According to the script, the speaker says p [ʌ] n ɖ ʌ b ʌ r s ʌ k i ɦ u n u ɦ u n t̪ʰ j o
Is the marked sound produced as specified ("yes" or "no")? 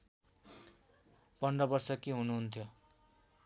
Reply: yes